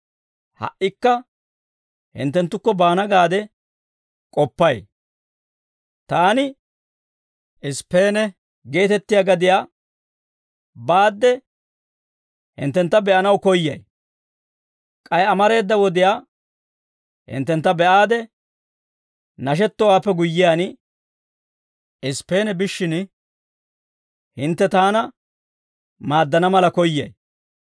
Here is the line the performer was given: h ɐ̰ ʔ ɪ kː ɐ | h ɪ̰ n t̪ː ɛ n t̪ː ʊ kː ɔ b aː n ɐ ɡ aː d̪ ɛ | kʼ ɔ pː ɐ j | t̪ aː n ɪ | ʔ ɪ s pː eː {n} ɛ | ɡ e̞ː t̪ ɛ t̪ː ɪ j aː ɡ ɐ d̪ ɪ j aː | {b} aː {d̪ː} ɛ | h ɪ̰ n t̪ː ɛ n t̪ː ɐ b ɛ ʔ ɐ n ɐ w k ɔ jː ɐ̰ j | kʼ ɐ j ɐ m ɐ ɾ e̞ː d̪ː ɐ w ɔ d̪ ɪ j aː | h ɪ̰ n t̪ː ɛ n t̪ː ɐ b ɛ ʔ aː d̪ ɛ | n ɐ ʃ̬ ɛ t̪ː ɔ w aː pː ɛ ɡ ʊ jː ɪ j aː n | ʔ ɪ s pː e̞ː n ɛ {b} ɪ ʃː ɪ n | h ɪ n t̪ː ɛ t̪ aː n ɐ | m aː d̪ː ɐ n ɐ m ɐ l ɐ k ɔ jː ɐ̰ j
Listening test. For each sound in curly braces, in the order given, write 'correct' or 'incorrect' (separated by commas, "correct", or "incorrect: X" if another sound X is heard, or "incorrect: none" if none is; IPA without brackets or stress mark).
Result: correct, correct, correct, correct